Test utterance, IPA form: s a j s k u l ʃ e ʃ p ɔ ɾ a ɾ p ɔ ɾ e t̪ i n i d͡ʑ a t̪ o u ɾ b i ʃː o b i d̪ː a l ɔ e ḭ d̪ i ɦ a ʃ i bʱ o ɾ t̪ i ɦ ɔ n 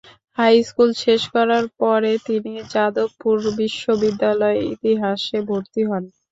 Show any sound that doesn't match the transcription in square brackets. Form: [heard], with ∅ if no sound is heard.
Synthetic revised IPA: [h] a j s k u l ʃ e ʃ [k] ɔ ɾ a ɾ p ɔ ɾ e t̪ i n i d͡ʑ a [d̪] o u ɾ b i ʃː o b i d̪ː a l ɔ e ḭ [t̪] i ɦ a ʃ [e] bʱ o ɾ t̪ i ɦ ɔ n

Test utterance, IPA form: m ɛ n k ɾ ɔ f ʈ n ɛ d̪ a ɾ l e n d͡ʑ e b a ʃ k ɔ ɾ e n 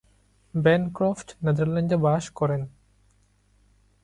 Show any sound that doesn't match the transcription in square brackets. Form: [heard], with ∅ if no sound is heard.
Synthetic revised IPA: [b] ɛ n k ɾ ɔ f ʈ n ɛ d̪ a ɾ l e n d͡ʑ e b a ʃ k ɔ ɾ e n

